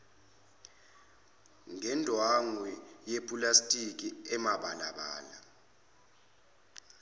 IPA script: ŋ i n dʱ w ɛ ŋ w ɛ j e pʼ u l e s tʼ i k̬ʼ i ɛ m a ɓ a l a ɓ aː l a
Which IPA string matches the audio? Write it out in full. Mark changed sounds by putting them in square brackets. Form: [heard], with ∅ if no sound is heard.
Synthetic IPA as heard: ŋ [ɛ] n dʱ w [a] ŋ w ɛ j e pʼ u l [a] s tʼ i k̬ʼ i ɛ m a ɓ a l a ɓ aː l a

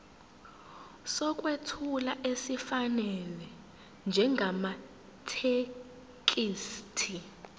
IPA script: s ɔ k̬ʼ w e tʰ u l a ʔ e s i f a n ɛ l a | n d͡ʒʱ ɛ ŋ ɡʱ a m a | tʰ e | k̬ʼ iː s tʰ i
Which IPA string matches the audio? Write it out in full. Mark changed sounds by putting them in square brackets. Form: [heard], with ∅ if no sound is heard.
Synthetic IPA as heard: s ɔ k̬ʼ w e tʰ u l a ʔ e s i f a n ɛ l [ɛ] | n d͡ʒʱ ɛ ŋ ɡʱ a m a | tʰ e | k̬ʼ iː s tʰ i

